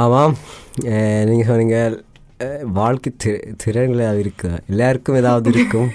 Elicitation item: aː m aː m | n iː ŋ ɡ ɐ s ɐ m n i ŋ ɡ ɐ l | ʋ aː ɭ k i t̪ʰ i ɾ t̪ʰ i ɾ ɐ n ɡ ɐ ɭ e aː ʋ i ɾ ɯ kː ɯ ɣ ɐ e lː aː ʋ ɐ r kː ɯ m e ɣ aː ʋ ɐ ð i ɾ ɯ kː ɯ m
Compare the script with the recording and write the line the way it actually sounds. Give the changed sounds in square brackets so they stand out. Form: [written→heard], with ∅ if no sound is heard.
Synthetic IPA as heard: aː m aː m | n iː ŋ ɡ ɐ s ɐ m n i ŋ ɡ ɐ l | ʋ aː ɭ k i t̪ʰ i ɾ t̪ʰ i ɾ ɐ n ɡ ɐ ɭ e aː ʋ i ɾ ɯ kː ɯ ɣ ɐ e lː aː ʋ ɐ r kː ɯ m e [ɣ→ð] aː ʋ ɐ ð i ɾ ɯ kː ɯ m